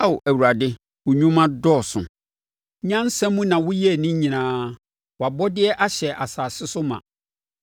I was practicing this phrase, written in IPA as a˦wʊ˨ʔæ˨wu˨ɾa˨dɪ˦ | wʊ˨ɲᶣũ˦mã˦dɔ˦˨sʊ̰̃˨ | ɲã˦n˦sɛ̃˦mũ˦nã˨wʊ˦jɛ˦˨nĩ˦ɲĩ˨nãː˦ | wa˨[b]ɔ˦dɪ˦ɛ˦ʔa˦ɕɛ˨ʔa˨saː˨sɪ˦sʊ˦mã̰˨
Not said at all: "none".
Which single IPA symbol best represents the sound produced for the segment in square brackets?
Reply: b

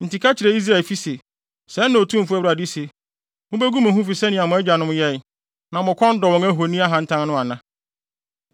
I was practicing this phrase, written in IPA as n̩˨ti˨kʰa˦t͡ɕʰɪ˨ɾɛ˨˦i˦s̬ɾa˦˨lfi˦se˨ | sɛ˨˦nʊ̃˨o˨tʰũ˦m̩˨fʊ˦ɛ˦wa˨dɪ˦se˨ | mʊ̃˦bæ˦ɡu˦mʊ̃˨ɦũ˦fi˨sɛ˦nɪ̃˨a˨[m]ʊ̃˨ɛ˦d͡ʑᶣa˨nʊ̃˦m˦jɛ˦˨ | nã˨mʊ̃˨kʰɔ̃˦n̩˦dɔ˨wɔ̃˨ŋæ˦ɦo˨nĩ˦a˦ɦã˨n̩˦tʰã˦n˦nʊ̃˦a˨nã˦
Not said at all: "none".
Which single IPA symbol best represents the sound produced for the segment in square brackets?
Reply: m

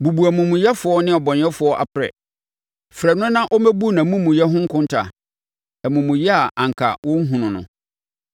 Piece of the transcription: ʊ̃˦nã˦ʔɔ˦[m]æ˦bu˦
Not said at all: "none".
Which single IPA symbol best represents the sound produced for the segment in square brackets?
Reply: m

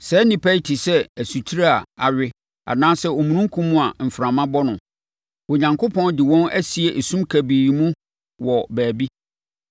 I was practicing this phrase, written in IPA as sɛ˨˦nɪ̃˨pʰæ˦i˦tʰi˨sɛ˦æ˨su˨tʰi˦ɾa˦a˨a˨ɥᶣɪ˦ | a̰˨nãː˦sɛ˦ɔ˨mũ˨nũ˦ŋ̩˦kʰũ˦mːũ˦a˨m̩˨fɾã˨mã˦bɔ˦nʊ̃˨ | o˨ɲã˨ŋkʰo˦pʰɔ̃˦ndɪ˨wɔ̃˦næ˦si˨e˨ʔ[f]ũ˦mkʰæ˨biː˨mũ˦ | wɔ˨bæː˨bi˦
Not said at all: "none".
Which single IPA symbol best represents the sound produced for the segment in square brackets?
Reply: s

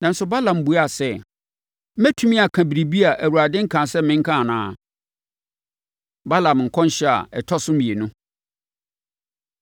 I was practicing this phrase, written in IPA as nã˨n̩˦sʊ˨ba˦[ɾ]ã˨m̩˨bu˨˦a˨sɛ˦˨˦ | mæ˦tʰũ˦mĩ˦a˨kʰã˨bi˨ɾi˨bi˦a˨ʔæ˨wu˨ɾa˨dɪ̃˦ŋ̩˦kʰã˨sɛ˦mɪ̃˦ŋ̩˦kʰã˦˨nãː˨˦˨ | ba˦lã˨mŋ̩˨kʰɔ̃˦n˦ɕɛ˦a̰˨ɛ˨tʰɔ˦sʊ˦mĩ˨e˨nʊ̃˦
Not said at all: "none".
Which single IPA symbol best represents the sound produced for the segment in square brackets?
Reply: l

